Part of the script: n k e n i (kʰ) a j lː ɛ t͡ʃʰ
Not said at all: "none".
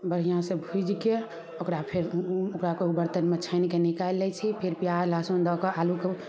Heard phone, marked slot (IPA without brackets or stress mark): k